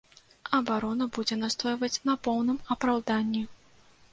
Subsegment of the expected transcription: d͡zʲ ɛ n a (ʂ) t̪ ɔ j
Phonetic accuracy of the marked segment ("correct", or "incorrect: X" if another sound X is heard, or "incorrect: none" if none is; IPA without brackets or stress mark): incorrect: s